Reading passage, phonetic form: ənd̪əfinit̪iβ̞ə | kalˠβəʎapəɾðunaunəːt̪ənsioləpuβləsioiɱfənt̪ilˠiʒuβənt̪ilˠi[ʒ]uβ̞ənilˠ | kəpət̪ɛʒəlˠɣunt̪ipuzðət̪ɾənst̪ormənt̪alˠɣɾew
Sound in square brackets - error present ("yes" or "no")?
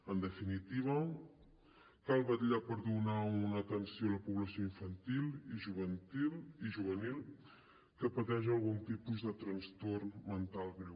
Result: no